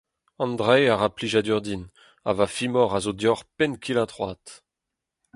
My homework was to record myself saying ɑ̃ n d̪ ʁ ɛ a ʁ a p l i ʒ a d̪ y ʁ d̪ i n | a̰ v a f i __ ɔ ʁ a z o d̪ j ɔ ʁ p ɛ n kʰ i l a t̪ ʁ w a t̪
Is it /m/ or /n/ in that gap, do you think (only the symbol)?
m